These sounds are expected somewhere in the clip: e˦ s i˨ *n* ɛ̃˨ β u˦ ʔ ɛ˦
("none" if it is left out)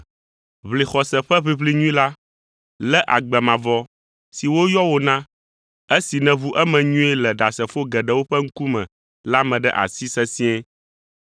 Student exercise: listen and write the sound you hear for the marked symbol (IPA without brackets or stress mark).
n